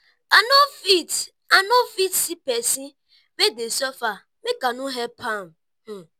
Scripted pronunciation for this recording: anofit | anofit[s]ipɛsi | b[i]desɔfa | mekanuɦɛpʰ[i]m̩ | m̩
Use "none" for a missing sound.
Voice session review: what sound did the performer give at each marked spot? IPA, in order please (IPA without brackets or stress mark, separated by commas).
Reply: s, e, a